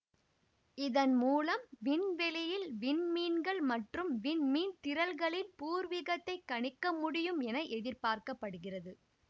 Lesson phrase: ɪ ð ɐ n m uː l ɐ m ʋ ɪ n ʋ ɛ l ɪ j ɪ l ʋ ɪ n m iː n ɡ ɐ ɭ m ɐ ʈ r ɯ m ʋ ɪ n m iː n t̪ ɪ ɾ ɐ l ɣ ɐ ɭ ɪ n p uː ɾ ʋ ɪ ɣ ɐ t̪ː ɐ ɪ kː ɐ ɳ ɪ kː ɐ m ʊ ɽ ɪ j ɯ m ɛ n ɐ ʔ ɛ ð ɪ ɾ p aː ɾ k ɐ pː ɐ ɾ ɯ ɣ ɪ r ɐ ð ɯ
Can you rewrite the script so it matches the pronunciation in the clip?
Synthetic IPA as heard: ɪ ð ɐ n m uː l ɐ m ʋ ɪ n ʋ ɛ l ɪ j ɪ l ʋ ɪ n m iː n ɡ ɐ ɭ m ɐ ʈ r ɯ m ʋ ɪ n m iː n t̪ ɪ ɾ ɐ l ɣ ɐ ɭ ɪ n p uː ɾ ʋ ɪ ɣ ɐ t̪ː ɐ ɪ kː ɐ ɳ ɪ kː ɐ m ʊ ɽ ɪ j ɯ m ɛ n ɐ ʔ ɛ ð ɪ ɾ p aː ɾ k ɐ pː ɐ ɽ ɯ ɣ ɪ r ɐ ð ɯ

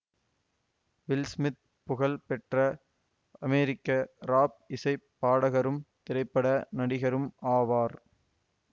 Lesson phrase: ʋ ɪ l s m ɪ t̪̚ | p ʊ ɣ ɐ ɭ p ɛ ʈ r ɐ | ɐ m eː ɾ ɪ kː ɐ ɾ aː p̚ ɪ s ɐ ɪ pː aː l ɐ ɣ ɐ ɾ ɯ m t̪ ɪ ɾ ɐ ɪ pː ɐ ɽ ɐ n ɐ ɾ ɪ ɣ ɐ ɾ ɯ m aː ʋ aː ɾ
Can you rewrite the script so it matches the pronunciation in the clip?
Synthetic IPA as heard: ʋ ɪ l s m ɪ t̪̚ | p ʊ ɣ ɐ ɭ p ɛ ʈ r ɐ | ɐ m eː ɾ ɪ kː ɐ ɾ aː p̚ ɪ s ɐ ɪ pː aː ɽ ɐ ɣ ɐ ɾ ɯ m t̪ ɪ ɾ ɐ ɪ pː ɐ ɽ ɐ n ɐ ɽ ɪ ɣ ɐ ɾ ɯ m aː ʋ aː ɾ

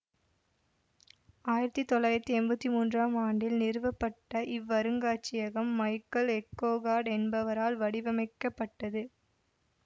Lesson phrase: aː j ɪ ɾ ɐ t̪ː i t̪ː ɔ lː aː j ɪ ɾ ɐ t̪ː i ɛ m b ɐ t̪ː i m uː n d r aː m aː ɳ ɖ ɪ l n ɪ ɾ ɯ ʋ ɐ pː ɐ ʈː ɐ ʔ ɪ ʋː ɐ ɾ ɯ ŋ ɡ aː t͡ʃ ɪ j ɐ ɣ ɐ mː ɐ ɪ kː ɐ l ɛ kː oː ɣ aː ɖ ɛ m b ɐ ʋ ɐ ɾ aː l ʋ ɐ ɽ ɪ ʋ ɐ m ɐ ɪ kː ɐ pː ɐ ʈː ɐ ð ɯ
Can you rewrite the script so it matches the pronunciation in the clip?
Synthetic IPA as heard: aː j ɪ ɾ ɐ t̪ː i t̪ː ɔ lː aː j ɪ ɾ ɐ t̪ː i ɛ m b ɐ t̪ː i m uː n d r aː m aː ɳ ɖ ɪ l n ɪ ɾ ɯ ʋ ɐ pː ɐ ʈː ɐ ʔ ɪ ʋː ɐ ɾ ɯ ŋ ɡ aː t͡ʃ ɪ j ɐ ɣ ɐ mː ɐ ɪ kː ɐ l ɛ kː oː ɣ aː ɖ ɛ n b ɐ ʋ ɐ ɾ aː l ʋ ɐ ɽ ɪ ʋ ɐ m ɐ ɪ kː ɐ pː ɐ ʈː ɐ ð ɯ

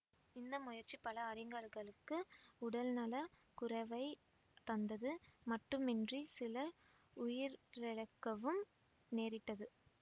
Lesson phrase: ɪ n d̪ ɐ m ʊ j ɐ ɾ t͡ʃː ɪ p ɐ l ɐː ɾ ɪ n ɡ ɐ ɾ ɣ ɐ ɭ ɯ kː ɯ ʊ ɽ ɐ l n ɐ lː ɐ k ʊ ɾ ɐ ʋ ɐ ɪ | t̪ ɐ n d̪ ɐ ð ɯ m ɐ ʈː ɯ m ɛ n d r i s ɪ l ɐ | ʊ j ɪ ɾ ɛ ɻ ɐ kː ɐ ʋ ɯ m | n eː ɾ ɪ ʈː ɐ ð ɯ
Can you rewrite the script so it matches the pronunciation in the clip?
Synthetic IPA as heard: ɪ n d̪ ɐ m ʊ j ɐ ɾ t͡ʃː i p ɐ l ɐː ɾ ɪ ŋ ɡ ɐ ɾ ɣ ɐ ɭ ɯ kː ɯ ʊ ɽ ɐ l n ɐ l ɐ k ʊ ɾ ɐ ʋ ɐ ɪ | t̪ ɐ n d̪ ɐ ð ɯ m ɐ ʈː ɯ m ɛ n d r i s ɪ l ɐ | ʊ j ɪ ɾ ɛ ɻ ɐ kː ɐ ʋ ɯ m | n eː ɾ ɪ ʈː ɐ ð ɯ

